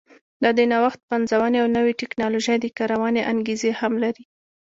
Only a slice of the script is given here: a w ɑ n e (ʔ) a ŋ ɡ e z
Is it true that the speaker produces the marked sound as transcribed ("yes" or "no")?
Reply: yes